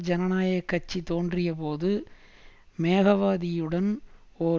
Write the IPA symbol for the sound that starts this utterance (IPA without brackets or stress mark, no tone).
d͡ʒ